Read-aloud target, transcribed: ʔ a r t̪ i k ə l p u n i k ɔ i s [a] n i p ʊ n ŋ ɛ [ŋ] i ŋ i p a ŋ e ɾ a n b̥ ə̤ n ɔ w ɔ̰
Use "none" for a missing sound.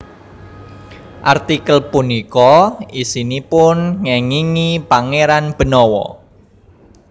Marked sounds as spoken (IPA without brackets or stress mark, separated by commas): i, ŋ